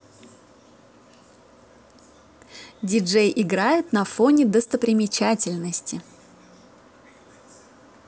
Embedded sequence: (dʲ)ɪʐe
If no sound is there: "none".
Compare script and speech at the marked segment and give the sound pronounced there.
dʲ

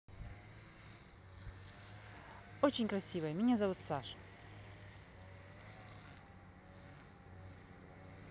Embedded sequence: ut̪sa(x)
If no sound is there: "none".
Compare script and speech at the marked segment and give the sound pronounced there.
ʂ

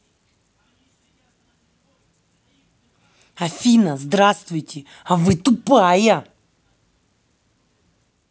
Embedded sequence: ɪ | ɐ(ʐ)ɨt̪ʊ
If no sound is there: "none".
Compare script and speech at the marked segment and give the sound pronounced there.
v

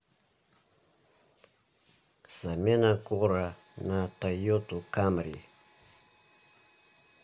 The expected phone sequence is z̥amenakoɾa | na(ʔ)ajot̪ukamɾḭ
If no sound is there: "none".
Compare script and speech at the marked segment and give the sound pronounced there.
t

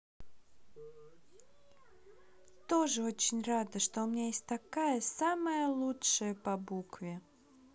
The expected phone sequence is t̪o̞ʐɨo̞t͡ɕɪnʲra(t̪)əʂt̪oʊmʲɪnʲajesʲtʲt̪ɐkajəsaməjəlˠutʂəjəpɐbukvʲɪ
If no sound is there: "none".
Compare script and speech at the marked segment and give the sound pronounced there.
d̪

